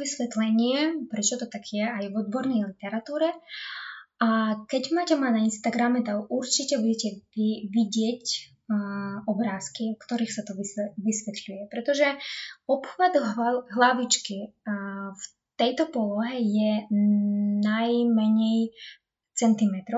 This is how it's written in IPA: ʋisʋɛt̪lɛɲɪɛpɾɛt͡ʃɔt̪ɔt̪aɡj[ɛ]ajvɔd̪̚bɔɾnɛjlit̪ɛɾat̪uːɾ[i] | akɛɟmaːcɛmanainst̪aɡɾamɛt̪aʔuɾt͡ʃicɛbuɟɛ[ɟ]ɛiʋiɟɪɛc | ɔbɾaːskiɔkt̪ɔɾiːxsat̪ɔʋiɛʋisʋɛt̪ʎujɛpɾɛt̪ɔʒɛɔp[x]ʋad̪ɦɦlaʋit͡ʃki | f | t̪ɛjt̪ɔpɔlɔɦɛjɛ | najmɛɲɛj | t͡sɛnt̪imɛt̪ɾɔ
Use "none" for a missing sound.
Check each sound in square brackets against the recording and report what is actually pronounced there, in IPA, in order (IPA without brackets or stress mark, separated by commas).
ɛ, ɛ, c, x